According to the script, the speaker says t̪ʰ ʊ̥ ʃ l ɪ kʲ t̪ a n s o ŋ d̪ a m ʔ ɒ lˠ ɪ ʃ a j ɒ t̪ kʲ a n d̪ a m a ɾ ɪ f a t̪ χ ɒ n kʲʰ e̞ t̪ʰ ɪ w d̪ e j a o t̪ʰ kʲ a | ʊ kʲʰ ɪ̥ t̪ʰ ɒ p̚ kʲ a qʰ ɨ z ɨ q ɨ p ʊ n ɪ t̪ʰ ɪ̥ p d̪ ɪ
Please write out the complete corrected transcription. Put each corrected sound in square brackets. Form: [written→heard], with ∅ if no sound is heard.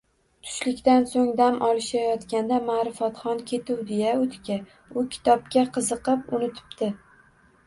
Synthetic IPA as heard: t̪ʰ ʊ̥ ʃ l ɪ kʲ t̪ a n s o ŋ d̪ a m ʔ ɒ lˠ ɪ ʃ a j ɒ t̪ kʲ a n d̪ a m a ɾ ɪ f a t̪ χ ɒ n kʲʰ e̞ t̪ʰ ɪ w d̪ e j a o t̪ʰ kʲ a | ʊ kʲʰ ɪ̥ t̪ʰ ɒ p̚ kʲ a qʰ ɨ z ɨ q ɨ p ʊ n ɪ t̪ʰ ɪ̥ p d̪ ɪ

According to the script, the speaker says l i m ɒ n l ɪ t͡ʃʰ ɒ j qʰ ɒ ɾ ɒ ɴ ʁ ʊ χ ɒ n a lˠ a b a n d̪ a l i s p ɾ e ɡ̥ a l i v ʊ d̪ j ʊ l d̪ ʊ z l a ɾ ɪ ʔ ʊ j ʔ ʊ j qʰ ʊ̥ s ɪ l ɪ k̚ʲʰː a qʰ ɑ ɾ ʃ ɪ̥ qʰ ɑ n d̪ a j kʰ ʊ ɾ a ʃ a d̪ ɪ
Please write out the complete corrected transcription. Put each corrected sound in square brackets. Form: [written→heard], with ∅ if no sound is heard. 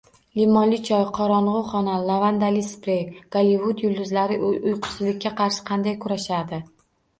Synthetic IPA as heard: l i m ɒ n l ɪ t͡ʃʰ ɒ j qʰ ɒ ɾ ɒ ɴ ʁ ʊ χ ɒ n a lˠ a [b→v] a n d̪ a l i s p ɾ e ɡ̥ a l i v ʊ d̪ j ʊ l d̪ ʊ z l a ɾ ɪ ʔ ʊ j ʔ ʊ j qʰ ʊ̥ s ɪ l ɪ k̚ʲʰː a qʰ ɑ ɾ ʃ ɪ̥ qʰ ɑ n d̪ a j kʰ ʊ ɾ a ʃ a d̪ ɪ

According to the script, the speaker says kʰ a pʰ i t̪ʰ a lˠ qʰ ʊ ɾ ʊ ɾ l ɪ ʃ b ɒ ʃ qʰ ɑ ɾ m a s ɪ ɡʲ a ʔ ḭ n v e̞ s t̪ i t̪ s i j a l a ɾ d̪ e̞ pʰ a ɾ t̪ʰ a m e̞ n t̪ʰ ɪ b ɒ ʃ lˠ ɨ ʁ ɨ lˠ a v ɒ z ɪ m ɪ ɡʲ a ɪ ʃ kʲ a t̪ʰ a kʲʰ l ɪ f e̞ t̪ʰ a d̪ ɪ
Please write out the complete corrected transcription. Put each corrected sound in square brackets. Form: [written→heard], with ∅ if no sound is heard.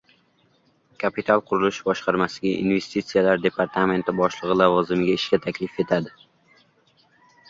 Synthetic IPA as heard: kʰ a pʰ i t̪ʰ a lˠ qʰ ʊ ɾ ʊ [ɾ→∅] l ɪ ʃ b ɒ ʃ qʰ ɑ ɾ m a s ɪ ɡʲ a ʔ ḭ n v e̞ s t̪ i t̪ s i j a l a ɾ d̪ e̞ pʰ a ɾ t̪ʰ a m e̞ n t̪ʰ ɪ b ɒ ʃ lˠ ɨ ʁ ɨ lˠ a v ɒ z ɪ m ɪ ɡʲ a ɪ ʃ kʲ a t̪ʰ a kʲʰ l ɪ f e̞ t̪ʰ a d̪ ɪ

